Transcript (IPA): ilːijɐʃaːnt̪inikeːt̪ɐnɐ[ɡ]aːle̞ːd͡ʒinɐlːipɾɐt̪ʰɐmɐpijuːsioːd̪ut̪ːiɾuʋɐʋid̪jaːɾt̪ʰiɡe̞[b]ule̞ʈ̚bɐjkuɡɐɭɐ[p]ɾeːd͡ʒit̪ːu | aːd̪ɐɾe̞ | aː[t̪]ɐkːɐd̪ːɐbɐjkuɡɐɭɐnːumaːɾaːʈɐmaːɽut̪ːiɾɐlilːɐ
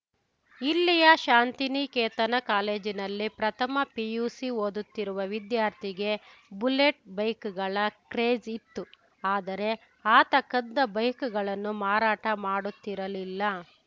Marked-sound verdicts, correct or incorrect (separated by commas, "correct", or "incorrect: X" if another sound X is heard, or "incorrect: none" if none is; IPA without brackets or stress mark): incorrect: k, correct, incorrect: k, correct